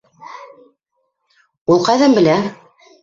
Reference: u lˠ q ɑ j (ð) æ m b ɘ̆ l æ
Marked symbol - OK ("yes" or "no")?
yes